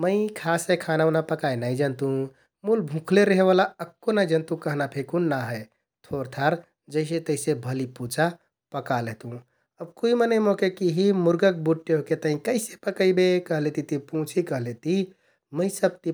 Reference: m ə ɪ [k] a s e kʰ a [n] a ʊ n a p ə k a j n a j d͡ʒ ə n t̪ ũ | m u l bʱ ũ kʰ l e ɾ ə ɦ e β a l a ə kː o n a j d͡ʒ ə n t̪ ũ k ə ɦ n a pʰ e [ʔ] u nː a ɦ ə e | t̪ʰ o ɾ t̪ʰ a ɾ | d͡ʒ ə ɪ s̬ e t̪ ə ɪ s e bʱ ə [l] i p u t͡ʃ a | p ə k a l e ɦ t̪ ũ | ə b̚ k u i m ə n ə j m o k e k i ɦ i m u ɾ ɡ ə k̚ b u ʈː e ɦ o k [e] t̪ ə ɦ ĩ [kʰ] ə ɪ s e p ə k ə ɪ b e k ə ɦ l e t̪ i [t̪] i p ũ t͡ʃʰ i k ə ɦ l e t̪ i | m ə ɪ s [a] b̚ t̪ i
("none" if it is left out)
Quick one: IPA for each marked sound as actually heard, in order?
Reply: kʰ, n, k, l, e, k, t̪, ə

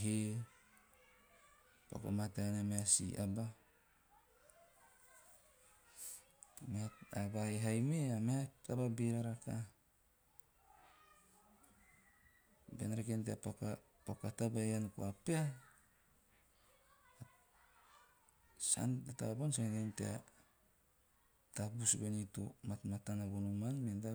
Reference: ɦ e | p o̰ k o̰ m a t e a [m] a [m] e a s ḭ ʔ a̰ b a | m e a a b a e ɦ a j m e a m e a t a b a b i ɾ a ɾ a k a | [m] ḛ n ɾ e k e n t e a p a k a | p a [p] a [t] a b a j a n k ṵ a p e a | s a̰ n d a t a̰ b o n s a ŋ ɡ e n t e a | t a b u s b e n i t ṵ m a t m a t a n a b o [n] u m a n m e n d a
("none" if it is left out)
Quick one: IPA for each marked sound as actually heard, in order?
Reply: n, m, b, k, t, n

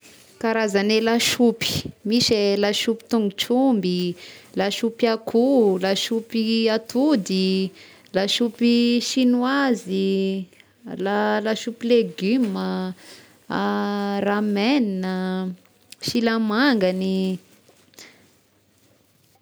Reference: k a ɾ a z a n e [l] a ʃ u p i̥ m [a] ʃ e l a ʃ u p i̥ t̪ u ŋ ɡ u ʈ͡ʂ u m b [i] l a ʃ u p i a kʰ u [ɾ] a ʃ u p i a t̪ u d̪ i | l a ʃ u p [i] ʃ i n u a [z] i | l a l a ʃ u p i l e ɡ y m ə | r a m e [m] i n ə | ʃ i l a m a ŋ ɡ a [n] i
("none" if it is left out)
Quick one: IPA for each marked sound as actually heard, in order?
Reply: l, i, i, l, i, z, n, n

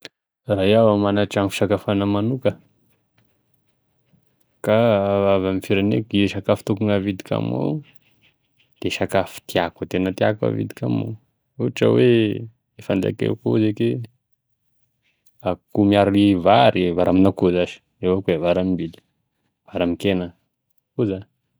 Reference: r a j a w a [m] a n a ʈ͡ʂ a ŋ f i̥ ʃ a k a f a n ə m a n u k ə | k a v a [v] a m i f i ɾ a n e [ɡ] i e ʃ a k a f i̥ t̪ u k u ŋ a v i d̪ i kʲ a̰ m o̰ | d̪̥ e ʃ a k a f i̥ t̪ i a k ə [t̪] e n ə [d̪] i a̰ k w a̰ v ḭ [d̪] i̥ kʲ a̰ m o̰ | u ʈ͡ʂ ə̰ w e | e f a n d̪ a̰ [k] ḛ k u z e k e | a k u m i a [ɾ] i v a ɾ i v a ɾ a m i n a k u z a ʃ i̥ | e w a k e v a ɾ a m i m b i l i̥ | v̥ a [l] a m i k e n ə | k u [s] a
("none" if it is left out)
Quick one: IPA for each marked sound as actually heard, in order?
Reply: m, v, k, t̪, t̪, d̪, k, ɾ, ɾ, z

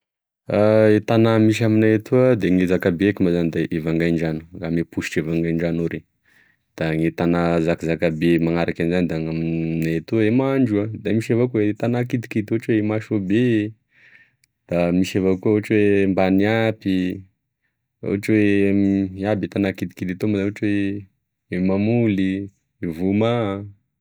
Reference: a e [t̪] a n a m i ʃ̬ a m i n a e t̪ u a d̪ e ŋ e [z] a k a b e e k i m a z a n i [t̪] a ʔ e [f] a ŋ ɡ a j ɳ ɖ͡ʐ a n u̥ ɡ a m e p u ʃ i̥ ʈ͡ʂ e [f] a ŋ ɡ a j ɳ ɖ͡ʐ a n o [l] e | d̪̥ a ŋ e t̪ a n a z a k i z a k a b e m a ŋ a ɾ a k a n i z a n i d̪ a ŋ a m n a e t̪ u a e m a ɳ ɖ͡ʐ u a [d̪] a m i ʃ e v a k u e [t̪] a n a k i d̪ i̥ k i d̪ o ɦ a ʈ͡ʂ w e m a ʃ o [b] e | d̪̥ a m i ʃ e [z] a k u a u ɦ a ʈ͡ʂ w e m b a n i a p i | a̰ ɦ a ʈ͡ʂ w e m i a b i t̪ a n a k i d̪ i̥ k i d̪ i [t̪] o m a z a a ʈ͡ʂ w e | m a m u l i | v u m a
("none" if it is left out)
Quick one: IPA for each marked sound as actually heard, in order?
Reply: t̪, z, d̪, v, v, ɾ, d̪, t̪, b, v, t̪

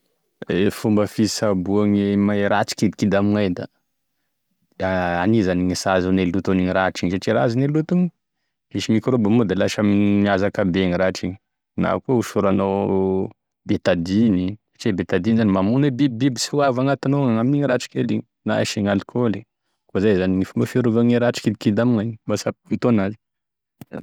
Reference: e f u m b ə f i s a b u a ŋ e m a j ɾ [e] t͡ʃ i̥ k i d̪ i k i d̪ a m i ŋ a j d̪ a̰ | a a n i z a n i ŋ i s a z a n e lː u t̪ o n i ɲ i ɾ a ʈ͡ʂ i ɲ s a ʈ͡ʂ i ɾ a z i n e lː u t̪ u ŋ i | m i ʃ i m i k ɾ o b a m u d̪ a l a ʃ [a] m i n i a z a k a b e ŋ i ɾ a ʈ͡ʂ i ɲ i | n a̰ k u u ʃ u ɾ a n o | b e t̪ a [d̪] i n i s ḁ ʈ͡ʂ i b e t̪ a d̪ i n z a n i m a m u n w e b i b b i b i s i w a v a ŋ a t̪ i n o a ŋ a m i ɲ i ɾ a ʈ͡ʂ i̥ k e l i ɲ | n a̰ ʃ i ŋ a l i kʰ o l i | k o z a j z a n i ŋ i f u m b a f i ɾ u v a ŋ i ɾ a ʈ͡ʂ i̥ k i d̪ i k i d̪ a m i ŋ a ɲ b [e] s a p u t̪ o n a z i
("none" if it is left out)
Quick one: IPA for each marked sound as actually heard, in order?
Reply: a, a, d̪, a

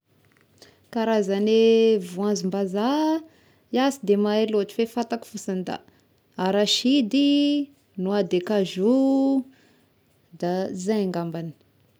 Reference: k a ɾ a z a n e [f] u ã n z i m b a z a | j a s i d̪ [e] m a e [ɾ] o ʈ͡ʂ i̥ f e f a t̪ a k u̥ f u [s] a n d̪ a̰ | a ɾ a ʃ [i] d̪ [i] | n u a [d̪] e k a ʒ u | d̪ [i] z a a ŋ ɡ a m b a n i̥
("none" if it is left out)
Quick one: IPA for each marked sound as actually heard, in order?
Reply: v, e, l, s, i, i, d̪, a

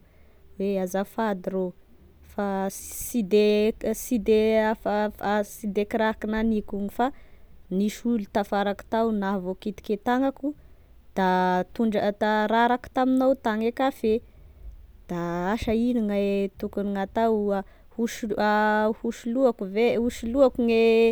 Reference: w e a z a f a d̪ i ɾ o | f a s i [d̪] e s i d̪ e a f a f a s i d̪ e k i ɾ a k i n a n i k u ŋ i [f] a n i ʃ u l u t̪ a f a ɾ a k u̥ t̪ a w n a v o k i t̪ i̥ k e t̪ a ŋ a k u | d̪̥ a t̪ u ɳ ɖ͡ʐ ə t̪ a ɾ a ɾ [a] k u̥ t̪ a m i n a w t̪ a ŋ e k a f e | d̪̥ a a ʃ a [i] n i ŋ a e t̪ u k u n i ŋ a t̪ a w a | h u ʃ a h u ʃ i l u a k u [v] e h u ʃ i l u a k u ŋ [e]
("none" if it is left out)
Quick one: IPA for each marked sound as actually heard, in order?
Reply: d̪, f, a, i, v, e

